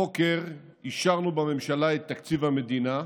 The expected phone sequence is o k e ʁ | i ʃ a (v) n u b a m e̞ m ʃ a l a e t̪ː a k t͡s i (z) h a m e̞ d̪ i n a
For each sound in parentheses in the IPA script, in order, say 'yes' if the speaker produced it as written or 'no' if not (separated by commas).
no, no